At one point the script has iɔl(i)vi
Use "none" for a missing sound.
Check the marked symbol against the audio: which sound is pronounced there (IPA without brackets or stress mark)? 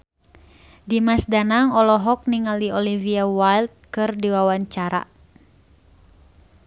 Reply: i